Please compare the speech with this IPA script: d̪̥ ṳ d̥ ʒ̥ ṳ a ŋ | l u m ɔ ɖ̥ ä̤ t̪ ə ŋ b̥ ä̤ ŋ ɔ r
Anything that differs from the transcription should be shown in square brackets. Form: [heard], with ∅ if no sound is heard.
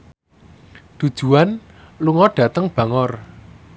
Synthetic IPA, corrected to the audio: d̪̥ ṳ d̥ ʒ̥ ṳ a [n] | l u [ŋ] ɔ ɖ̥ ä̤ t̪ ə ŋ b̥ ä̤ ŋ ɔ r